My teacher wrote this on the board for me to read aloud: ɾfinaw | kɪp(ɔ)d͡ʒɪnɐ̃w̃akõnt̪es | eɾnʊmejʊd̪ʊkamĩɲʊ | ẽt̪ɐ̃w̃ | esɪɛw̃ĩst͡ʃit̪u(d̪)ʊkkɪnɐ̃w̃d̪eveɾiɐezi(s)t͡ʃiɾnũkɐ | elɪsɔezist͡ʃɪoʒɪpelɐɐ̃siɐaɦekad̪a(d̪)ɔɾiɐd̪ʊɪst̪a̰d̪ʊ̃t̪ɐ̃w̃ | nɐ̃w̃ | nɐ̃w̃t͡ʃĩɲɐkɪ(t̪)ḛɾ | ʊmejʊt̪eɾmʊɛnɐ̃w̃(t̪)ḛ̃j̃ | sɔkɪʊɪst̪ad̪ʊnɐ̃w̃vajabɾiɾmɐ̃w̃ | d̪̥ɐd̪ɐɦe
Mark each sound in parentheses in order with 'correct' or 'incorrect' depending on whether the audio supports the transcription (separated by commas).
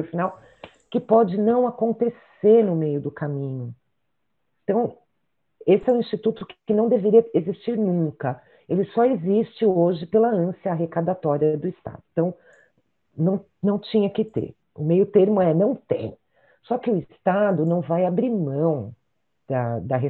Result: correct, incorrect, correct, incorrect, correct, correct